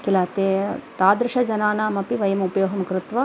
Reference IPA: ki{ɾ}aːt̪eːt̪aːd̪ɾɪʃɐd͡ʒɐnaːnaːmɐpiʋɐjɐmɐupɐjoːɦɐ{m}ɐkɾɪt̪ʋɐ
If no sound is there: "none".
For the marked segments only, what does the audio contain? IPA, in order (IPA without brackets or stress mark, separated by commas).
l, m